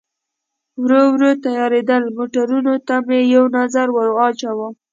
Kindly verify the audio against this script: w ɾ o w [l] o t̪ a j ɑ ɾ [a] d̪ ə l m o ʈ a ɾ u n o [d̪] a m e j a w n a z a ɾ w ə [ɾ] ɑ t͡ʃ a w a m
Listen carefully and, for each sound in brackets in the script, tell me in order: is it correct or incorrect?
incorrect, incorrect, incorrect, correct

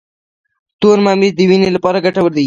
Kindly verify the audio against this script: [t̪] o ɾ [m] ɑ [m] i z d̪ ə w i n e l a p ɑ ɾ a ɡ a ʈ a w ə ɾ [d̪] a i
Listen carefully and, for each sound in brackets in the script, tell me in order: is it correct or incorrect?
correct, correct, correct, correct

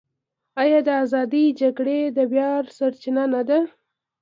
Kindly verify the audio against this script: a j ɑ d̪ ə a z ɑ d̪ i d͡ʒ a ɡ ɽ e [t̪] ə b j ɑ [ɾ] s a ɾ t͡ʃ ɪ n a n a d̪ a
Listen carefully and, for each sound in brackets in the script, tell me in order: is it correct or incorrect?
incorrect, correct

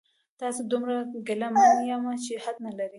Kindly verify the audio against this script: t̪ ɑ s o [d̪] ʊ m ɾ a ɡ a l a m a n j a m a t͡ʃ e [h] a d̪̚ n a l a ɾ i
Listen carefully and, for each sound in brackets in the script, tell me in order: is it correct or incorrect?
correct, correct

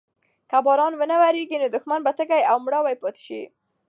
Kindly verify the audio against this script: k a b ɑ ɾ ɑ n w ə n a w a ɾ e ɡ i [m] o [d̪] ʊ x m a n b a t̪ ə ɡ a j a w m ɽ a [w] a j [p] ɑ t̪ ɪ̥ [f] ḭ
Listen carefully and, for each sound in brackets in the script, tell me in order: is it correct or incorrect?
incorrect, correct, correct, correct, incorrect

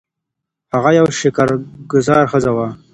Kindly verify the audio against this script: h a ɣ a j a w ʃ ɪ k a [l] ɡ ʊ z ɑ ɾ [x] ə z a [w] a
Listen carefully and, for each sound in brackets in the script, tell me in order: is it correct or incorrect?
incorrect, correct, correct

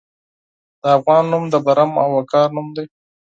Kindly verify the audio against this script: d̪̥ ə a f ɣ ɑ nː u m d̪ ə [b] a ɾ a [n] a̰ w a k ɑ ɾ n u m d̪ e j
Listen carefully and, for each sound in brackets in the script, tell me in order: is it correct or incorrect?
correct, incorrect

